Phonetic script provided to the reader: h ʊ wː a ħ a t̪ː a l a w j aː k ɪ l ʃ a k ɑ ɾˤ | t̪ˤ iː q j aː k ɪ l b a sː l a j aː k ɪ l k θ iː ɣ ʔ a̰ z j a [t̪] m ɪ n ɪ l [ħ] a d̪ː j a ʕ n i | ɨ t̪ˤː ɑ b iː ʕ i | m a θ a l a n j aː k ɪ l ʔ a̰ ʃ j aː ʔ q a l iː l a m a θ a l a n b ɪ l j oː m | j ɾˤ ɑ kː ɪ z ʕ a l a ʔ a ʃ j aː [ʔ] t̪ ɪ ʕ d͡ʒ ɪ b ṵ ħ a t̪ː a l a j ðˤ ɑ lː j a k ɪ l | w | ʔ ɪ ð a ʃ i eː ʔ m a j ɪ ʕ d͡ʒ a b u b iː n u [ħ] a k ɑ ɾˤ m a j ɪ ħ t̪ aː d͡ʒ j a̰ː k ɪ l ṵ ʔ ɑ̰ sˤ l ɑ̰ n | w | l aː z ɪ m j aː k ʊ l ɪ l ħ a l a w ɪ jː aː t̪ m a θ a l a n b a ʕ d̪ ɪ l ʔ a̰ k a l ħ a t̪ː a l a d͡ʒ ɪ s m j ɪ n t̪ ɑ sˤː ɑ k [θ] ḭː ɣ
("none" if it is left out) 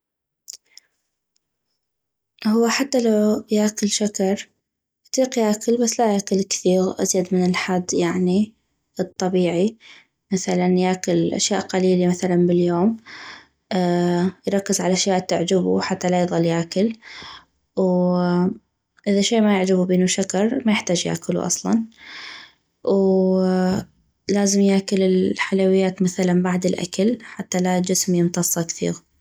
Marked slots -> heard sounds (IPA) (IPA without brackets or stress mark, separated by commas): d̪, ħ, ʔ, ʃ, θ